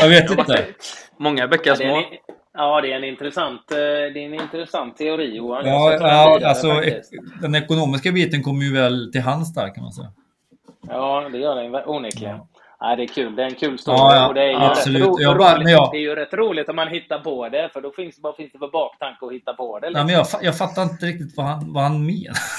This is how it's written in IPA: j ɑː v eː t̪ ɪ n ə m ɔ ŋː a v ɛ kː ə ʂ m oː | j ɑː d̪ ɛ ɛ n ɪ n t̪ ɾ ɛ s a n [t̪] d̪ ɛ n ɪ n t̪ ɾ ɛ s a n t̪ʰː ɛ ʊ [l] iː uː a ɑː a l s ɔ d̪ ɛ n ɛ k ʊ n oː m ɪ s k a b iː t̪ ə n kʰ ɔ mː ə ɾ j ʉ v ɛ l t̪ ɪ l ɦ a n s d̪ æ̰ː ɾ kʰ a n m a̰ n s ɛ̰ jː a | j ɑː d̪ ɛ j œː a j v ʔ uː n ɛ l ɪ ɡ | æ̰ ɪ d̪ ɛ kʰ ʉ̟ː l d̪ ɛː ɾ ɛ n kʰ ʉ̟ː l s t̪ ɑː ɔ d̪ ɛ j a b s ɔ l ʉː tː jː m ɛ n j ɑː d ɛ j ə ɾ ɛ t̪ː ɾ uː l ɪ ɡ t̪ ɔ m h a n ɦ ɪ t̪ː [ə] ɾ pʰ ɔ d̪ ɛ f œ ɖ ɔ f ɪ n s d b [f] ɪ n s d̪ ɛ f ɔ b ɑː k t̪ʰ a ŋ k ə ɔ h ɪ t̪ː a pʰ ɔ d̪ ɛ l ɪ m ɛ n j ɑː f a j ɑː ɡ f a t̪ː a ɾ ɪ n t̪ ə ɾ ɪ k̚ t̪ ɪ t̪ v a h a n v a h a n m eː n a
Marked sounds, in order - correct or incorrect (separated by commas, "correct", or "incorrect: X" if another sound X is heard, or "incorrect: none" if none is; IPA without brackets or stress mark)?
correct, incorrect: ɾ, incorrect: a, correct